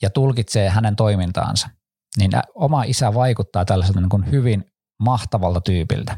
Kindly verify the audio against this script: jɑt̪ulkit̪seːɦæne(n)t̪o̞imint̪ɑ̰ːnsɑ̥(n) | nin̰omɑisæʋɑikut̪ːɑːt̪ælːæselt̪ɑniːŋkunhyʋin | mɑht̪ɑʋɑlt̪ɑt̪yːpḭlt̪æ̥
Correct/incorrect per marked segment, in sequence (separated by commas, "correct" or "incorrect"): correct, incorrect